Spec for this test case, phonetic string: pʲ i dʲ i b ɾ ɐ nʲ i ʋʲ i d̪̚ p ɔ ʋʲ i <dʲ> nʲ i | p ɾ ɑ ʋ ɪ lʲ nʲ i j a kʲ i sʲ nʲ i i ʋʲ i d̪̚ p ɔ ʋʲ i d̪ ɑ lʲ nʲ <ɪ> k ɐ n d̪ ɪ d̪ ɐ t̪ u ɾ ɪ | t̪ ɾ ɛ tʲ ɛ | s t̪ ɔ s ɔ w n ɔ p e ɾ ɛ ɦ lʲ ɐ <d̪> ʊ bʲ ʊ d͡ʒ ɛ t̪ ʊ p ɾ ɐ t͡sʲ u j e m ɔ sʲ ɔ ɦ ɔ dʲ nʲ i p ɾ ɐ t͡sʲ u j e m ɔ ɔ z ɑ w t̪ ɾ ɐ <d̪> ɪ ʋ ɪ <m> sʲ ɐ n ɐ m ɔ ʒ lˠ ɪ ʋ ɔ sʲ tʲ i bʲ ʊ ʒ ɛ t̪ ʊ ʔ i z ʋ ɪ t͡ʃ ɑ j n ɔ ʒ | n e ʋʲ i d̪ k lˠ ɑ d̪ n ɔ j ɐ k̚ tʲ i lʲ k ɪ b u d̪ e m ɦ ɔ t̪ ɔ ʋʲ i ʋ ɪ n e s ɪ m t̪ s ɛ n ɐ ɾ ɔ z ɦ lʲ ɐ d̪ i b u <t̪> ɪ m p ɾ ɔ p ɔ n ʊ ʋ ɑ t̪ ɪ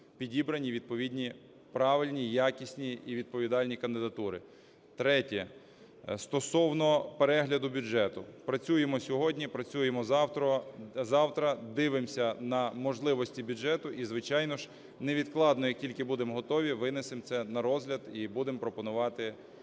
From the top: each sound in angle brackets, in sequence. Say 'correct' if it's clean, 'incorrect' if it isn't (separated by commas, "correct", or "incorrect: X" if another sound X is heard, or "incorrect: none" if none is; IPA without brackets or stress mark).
correct, incorrect: i, correct, correct, correct, incorrect: d̪